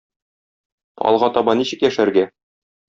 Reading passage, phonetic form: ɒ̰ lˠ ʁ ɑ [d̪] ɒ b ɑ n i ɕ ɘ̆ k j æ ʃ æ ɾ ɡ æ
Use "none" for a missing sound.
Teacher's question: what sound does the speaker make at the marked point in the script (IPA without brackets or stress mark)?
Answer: t̪